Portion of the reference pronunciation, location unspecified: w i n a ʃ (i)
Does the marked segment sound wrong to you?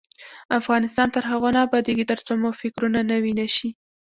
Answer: no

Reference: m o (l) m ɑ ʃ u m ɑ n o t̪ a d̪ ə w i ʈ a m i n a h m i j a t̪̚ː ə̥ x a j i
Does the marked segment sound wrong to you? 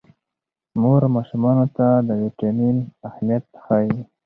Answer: yes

